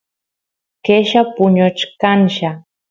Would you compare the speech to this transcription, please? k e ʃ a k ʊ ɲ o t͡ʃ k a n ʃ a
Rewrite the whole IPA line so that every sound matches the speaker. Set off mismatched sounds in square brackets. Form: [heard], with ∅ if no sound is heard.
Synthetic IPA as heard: k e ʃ a [p] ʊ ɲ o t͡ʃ k a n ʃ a